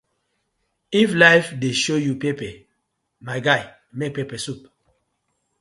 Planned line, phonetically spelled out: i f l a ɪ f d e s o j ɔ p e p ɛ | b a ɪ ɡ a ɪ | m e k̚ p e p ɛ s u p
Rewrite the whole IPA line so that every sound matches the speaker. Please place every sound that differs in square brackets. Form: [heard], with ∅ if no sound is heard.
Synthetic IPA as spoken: i f l a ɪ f d e [ʃ] o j [u] p e p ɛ | [m] a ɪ ɡ a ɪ | m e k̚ p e p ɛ s u p